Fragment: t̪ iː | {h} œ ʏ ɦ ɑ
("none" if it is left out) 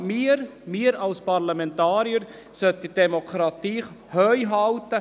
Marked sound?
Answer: h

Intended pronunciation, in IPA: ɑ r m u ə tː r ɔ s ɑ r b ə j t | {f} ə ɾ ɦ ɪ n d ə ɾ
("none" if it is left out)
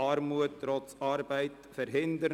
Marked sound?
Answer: f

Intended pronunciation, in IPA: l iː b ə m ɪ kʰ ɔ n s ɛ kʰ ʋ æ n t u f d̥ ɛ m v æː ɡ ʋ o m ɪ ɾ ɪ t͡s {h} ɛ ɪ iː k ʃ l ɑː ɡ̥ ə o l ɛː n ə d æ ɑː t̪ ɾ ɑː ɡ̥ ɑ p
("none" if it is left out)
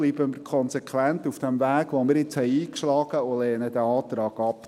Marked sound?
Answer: h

